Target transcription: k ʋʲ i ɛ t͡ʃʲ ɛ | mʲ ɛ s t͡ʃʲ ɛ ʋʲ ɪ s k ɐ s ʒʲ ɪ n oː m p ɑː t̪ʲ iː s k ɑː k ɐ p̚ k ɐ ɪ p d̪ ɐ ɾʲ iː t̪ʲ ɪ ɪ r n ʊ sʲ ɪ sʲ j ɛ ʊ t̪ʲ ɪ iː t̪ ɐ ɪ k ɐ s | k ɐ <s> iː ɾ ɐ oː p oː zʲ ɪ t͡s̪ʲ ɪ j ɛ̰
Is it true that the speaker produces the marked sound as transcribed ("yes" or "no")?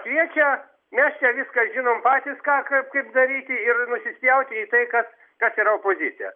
yes